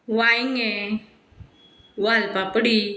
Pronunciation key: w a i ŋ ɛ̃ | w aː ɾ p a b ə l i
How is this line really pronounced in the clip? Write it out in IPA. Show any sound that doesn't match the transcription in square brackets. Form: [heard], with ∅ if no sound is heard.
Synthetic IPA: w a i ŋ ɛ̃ | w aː [l] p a [p] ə [ɽ] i

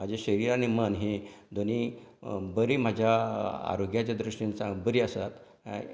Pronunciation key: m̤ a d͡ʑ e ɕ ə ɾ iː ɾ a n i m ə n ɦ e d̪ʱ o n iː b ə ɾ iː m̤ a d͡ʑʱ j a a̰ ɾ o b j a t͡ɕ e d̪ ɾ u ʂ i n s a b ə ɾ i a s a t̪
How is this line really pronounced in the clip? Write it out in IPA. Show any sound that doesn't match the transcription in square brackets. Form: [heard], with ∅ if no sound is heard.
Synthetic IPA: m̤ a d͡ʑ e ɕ ə ɾ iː ɾ a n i m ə n ɦ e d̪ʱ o n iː b ə ɾ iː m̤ a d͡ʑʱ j a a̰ ɾ o [ɡ] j a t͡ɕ [a] d̪ ɾ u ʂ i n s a b ə ɾ i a s a t̪

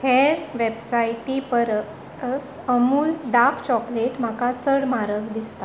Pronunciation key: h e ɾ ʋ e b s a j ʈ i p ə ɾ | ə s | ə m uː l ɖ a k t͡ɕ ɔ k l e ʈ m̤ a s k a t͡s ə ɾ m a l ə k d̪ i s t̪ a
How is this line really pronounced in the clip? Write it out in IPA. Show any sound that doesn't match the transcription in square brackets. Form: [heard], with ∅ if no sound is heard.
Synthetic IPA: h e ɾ ʋ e b s a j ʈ i p ə ɾ | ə s | ə m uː l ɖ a k t͡ɕ ɔ k l e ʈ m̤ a [∅] k a t͡s ə [ɽ] m a [ɾ] ə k d̪ i s t̪ a

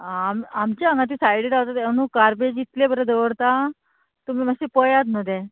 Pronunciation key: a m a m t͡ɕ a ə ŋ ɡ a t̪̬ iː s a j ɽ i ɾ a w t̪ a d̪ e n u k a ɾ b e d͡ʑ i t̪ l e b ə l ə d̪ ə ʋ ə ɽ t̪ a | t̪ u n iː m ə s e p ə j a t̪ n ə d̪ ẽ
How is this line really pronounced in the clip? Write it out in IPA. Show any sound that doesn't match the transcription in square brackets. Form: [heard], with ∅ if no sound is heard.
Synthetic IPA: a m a m t͡ɕ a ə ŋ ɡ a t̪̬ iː s a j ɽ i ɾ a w t̪ a [t̪] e n u k a ɾ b e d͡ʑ i t̪ l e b ə [ɾ] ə d̪ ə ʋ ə ɽ t̪ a | t̪ u [m] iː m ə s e p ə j a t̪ n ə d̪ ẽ

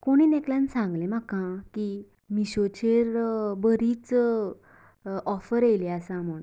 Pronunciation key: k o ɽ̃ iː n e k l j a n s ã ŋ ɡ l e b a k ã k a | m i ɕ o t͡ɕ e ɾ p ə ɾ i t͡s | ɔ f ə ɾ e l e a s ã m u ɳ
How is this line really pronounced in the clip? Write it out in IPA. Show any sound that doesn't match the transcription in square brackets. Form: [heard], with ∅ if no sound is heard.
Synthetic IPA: k o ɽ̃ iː n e k l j a n s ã ŋ ɡ l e [m] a k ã k [i] | m i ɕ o t͡ɕ e ɾ [b] ə ɾ i t͡s | ɔ f ə ɾ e l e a s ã m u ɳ

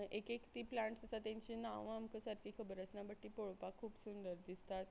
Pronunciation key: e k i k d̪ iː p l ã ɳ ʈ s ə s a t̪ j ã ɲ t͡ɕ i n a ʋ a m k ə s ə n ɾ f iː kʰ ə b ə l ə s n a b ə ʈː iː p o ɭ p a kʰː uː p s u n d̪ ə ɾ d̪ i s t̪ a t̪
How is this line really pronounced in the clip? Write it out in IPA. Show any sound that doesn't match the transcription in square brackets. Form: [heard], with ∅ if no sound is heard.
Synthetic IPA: e k [e] k [t̪] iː p l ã ɳ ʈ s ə s a t̪ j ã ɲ t͡ɕ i n a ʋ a m k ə s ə [∅] ɾ f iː kʰ ə b ə [ɾ] ə s n a b ə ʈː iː p o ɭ p a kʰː uː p s u n d̪ ə ɾ d̪ i s t̪ a t̪

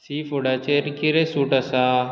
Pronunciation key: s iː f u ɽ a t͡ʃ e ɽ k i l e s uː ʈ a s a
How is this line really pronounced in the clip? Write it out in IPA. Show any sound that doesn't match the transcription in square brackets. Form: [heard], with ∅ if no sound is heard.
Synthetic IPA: s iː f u ɽ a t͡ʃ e [ɾ] k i [ɾ] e s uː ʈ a s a

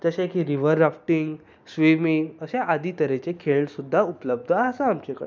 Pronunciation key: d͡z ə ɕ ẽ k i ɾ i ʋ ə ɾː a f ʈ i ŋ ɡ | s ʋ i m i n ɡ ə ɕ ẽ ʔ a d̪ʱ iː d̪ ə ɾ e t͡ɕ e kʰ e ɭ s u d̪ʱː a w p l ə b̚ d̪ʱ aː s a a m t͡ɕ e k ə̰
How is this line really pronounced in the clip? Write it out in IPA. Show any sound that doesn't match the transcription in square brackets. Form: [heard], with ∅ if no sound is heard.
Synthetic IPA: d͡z ə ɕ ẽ k i ɾ i ʋ ə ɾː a f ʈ i ŋ ɡ | s ʋ i m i [ŋ] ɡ ə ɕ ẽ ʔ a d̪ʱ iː [t̪] ə ɾ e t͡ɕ e kʰ e ɭ s u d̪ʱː a [u] p l ə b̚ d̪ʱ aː s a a m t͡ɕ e k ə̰

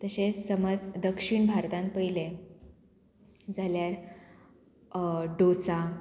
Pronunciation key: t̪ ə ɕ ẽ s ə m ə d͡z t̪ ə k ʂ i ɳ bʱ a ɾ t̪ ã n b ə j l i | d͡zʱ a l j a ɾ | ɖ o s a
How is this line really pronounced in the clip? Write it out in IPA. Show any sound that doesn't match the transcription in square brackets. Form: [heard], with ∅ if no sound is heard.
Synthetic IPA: t̪ ə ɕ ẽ s ə m ə d͡z [d̪] ə k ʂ i ɳ bʱ a ɾ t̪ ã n [p] ə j l [e] | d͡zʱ a l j a ɾ | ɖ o s a

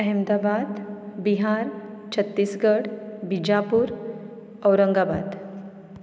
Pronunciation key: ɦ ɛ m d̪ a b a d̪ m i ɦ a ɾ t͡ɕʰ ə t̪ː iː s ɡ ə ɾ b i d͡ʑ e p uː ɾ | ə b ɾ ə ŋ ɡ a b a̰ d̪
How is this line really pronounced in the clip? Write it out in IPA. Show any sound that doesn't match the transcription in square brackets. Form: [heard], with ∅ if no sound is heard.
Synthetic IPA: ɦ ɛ m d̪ a b a d̪ [b] i ɦ a ɾ t͡ɕʰ ə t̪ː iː s ɡ ə [ɽ] b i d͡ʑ [a] p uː ɾ | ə [w] ɾ ə ŋ ɡ a b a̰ d̪

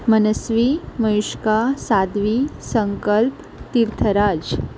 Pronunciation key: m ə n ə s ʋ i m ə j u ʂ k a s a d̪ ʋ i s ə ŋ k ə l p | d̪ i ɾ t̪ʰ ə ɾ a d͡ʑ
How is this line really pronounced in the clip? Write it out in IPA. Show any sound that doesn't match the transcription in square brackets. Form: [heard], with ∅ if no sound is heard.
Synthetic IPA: m ə n ə s ʋ i m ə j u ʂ k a s a d̪ ʋ i s ə ŋ k ə l p | [t̪] i ɾ t̪ʰ ə ɾ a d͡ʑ

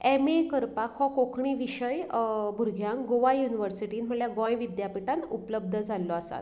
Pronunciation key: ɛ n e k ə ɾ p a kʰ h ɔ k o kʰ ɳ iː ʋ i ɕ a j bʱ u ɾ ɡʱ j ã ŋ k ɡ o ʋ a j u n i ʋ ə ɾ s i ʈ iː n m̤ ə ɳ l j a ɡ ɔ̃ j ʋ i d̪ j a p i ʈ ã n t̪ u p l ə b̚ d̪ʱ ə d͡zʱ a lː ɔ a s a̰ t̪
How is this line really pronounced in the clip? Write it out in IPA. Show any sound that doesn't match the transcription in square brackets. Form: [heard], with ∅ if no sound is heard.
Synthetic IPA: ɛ [m] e k ə ɾ p a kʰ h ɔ k o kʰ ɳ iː ʋ i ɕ [ə] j bʱ u ɾ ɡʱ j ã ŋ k ɡ o ʋ a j u n i ʋ ə ɾ s i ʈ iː n m̤ ə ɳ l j a ɡ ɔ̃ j ʋ i d̪ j a p i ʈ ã n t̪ u p l ə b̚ d̪ʱ ə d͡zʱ a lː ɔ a s a̰ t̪

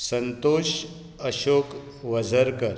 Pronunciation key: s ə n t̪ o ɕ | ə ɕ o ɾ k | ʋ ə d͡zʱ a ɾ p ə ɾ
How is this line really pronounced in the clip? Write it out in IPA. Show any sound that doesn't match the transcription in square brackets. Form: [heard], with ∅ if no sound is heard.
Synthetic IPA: s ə n t̪ o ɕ | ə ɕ o [∅] k | ʋ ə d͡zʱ [ə] ɾ [k] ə ɾ

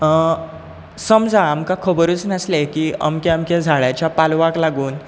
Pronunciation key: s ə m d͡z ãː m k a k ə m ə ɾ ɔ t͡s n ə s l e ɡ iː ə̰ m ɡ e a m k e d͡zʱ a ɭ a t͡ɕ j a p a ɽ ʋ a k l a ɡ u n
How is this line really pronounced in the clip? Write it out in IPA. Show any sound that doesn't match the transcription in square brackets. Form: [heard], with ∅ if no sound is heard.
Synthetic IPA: s ə m d͡z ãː m k a [kʰ] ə [b] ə ɾ [u] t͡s n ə s l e [k] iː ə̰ m [k] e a m k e d͡zʱ a ɭ a t͡ɕ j a p a [l] ʋ a k l a ɡ [uː] n

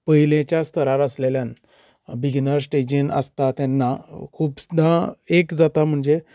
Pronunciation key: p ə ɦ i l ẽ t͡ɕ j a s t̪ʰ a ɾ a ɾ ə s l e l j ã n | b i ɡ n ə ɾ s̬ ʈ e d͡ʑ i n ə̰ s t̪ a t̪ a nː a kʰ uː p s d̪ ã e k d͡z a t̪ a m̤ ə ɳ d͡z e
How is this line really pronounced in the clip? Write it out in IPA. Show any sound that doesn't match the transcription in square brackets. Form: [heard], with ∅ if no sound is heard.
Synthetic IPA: p ə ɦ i l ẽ t͡ɕ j a s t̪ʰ [ə] ɾ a ɾ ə s l e l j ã n | b i ɡ n ə ɾ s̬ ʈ e d͡ʑ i n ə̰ s t̪ a t̪ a nː a kʰ uː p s d̪ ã e k d͡z a t̪ a m̤ ə ɳ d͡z e

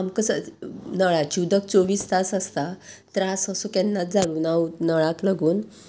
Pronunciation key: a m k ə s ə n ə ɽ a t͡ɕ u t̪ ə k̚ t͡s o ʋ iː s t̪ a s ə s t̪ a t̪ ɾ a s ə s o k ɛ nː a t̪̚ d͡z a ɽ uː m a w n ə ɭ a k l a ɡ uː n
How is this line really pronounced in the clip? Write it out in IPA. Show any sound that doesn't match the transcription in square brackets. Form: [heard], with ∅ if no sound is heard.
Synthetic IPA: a m k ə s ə n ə [ɭ] a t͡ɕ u [d̪] ə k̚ t͡s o ʋ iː s t̪ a s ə s t̪ a t̪ ɾ a s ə s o k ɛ nː a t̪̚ d͡z a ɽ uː [n] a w n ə ɭ a k l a ɡ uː n

